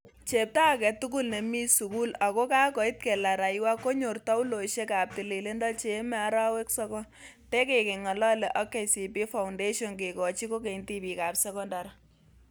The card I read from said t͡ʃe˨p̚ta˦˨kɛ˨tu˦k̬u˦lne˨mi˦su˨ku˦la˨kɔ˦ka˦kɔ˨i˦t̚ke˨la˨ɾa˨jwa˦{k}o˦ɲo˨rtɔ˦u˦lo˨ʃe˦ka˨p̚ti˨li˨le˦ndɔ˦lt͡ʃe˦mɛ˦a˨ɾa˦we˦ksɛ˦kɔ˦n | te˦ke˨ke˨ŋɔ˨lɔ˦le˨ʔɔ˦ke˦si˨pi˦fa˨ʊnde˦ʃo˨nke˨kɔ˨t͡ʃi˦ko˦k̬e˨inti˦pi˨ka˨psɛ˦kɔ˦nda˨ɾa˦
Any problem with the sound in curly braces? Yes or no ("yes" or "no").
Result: no